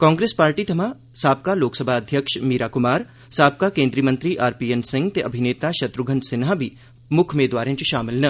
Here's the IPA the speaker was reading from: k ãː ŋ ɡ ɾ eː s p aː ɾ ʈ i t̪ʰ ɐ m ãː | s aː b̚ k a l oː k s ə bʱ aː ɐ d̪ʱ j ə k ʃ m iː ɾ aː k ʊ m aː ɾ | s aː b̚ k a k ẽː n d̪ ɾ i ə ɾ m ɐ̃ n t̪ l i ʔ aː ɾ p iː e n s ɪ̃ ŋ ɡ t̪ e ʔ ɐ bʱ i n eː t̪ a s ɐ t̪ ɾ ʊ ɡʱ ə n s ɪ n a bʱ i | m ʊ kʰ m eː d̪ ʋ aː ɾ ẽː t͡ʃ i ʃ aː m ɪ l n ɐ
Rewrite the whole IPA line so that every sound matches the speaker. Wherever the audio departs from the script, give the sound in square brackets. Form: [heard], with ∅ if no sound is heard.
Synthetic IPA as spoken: k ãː ŋ ɡ ɾ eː s p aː ɾ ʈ i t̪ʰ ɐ m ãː | s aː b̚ k a l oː k s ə bʱ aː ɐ d̪ʱ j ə k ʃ m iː ɾ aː k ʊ m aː ɾ | s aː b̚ k a k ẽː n d̪ ɾ i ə [∅] m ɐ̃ n t̪ [ɾ] i ʔ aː ɾ p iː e n s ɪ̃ ŋ ɡ t̪ e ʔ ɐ bʱ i n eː t̪ a [ʃ] ɐ t̪ ɾ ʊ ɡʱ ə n s ɪ n a bʱ i | m ʊ kʰ m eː d̪ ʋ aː ɾ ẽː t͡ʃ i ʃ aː m ɪ l n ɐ